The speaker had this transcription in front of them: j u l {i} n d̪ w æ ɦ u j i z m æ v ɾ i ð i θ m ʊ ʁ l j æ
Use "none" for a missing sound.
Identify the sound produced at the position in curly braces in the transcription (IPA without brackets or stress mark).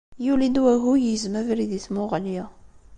i